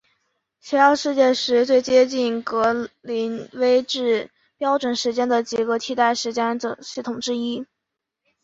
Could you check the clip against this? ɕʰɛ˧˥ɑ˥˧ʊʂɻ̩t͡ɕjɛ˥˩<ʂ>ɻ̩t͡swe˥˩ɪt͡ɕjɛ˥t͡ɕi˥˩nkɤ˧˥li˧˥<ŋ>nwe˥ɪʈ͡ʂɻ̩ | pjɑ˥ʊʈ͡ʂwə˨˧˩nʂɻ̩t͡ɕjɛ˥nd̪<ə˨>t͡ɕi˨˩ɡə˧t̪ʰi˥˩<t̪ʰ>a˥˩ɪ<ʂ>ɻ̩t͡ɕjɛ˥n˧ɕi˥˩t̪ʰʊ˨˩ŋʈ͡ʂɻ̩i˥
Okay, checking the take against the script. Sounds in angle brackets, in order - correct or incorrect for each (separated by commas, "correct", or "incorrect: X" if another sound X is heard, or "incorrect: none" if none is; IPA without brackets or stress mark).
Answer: correct, incorrect: none, correct, incorrect: t̪, correct